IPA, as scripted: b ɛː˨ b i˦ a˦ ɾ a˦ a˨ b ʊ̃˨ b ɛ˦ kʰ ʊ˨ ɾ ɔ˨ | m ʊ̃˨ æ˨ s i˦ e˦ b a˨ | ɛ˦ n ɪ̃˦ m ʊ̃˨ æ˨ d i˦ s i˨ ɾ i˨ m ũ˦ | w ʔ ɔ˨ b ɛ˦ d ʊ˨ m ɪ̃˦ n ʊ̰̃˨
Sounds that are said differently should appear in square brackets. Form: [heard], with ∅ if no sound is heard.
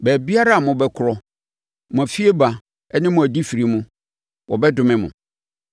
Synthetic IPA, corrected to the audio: b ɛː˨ b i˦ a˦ ɾ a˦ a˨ [m] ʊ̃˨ b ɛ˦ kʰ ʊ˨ ɾ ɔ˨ | m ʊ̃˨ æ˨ [f] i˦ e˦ b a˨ | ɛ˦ n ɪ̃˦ m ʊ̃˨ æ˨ d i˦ [f] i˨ ɾ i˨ m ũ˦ | w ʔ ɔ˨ b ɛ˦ d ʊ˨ m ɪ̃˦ [m] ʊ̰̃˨